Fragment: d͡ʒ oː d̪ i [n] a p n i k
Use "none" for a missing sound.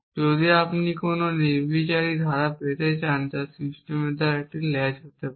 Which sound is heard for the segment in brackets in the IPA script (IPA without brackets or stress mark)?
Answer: none